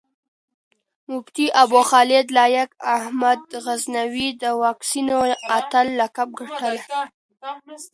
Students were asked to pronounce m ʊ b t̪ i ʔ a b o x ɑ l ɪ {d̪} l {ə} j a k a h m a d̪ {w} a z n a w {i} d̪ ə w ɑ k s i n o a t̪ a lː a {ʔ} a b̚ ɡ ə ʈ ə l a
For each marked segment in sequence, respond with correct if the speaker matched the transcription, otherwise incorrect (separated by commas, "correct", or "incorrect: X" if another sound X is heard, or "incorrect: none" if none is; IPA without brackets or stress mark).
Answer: correct, incorrect: ɑ, incorrect: ɣ, correct, incorrect: k